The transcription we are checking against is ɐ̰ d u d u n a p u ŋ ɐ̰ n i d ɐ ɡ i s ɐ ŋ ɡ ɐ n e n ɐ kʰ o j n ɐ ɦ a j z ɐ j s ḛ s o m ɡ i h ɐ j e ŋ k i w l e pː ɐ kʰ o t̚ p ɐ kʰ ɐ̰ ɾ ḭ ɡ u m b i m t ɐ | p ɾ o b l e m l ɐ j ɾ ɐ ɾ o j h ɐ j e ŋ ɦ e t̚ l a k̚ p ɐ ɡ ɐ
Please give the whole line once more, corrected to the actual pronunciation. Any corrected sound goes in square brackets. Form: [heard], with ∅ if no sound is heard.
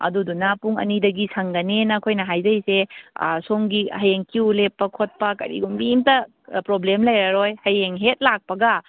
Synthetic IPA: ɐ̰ d u d u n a p u ŋ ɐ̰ n i d ɐ ɡ i s ɐ ŋ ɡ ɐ n e n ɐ kʰ o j n ɐ ɦ a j z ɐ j s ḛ s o [ŋ] ɡ i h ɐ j e ŋ k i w l e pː ɐ kʰ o t̚ p ɐ [k] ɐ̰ ɾ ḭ ɡ u m b i m t ɐ | p ɾ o b l e m l ɐ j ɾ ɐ ɾ o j h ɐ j e ŋ ɦ e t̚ l a k̚ p ɐ ɡ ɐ